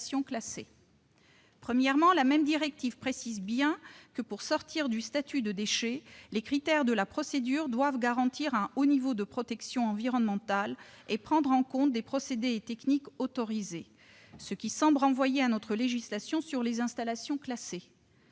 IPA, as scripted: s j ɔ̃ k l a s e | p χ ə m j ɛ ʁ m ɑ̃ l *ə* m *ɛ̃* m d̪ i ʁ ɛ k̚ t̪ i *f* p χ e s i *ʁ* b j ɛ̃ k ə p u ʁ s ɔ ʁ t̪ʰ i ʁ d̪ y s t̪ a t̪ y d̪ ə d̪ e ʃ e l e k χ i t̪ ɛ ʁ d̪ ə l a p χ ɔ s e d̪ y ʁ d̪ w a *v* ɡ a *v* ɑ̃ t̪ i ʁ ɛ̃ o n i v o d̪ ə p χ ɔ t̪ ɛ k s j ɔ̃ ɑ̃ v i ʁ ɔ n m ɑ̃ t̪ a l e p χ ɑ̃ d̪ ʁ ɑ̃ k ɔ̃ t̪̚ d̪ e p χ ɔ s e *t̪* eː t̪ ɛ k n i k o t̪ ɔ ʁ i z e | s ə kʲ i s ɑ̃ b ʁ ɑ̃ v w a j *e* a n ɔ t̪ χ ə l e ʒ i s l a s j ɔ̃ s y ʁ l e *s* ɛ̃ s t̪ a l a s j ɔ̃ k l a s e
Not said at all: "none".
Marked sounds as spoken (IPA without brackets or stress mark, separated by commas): a, ɛ, v, z, v, ʁ, d̪, e, z